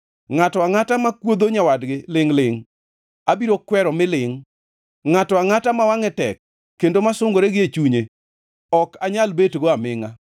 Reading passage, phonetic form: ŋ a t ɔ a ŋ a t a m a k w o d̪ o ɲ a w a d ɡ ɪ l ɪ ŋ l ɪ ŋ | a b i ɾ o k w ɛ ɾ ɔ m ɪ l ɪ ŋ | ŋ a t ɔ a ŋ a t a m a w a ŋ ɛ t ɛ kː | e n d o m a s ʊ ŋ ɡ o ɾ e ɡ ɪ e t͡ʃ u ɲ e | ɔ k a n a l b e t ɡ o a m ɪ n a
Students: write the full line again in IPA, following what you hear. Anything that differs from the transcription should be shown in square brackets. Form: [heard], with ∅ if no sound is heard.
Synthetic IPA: ŋ a t ɔ a ŋ a t a m a k w o d̪ o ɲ a w a d ɡ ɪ l ɪ ŋ l ɪ ŋ | a b i ɾ o k w ɛ ɾ ɔ m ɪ l ɪ ŋ | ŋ a t ɔ a ŋ a t a m a w a ŋ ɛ t ɛ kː | e n d o m a s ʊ ŋ ɡ o ɾ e ɡ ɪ e t͡ʃ u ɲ e | ɔ k a [ɲ] a l b e t ɡ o a m ɪ [ŋ] a